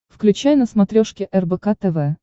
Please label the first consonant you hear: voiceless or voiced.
voiceless